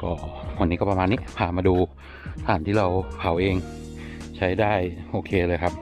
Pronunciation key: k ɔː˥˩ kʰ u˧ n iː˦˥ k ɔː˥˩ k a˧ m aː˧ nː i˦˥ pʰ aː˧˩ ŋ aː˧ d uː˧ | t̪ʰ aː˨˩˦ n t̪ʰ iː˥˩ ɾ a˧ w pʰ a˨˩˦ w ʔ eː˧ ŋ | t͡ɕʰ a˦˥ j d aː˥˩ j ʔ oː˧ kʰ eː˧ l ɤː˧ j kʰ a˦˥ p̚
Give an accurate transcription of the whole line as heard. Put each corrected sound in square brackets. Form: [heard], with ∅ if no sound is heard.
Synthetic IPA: k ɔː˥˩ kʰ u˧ n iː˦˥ k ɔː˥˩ [p] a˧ m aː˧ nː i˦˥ pʰ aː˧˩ [m] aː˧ d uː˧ | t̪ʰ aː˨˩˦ n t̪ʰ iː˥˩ ɾ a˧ w pʰ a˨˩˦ w ʔ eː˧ ŋ | t͡ɕʰ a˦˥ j d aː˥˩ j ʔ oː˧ kʰ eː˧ l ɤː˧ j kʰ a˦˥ p̚